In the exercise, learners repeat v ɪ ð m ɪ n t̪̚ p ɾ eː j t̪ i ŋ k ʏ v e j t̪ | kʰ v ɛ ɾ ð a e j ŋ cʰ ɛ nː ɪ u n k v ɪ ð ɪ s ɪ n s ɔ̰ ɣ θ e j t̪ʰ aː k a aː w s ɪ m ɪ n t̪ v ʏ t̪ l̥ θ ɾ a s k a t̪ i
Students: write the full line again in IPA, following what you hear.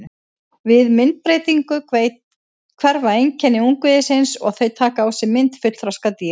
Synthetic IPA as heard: v ɪ ð m ɪ n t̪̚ p ɾ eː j t̪ i ŋ k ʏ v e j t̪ | kʰ v ɛ ɾ v a e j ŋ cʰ ɛ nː ɪ u ŋ k v ɪ ð ɪ s ɪ n s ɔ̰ ɣ θ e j t̪ʰ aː k a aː w s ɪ m ɪ n t̪ f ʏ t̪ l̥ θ ɾ a s k a t̪ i